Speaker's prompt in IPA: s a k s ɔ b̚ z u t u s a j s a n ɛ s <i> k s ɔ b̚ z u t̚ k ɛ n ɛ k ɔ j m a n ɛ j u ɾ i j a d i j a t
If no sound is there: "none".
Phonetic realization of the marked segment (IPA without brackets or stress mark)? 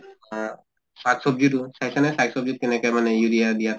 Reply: a